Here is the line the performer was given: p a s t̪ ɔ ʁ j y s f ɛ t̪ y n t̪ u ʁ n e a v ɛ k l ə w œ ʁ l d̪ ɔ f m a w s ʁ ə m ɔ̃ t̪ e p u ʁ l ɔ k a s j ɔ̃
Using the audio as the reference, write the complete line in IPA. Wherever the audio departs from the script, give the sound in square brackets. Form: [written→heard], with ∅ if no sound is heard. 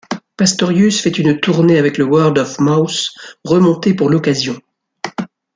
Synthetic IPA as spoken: p a s t̪ ɔ ʁ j y s f ɛ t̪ y n t̪ u ʁ n e a v ɛ k l ə w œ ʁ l d̪ ɔ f m a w s ʁ ə m ɔ̃ t̪ e p u ʁ l ɔ k a [s→z] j ɔ̃